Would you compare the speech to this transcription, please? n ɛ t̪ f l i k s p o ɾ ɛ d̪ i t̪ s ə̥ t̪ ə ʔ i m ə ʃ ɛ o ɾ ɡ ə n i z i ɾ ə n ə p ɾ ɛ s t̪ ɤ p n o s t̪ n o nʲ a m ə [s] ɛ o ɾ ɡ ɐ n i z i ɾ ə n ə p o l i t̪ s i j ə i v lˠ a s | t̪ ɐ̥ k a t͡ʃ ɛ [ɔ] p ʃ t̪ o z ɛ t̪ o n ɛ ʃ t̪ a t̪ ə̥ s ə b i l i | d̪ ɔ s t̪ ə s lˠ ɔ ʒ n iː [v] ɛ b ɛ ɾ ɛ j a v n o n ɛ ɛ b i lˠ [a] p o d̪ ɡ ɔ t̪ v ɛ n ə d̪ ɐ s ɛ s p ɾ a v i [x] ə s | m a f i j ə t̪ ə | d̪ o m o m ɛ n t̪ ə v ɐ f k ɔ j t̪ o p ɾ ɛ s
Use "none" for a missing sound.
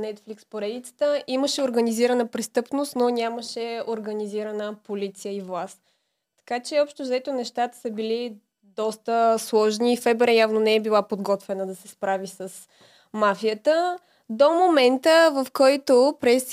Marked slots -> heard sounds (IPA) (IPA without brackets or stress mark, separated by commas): ʃ, ɔ, f, a, s